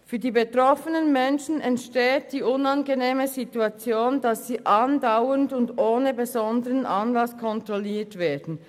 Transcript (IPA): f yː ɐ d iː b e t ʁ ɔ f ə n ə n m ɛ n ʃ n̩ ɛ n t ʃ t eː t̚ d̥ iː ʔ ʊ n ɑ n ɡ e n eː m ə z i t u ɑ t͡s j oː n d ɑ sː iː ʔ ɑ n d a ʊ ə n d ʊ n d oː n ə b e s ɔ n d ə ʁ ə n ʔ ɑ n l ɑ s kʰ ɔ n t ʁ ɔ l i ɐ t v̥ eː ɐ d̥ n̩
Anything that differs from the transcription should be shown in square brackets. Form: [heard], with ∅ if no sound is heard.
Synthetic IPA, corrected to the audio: f yː ɐ d iː b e t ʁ ɔ f ə n ə n m ɛ n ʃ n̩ ɛ n t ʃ t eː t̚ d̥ iː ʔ ʊ n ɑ n ɡ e n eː m ə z i t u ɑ t͡s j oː n d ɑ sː iː ʔ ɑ n d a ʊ ə n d ʊ n d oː n ə b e [z] ɔ n d ə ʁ ə n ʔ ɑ n l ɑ s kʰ ɔ n t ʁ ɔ l [iː] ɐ t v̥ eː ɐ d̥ n̩